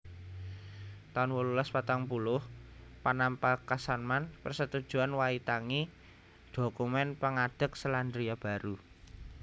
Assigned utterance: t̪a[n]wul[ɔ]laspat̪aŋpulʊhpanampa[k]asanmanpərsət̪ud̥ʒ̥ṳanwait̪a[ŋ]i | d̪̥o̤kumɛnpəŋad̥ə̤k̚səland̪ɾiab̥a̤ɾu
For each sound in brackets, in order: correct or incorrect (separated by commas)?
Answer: correct, incorrect, correct, correct